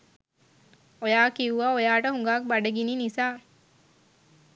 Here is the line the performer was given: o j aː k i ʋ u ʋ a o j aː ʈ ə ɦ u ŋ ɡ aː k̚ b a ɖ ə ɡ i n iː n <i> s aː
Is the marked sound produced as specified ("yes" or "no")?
yes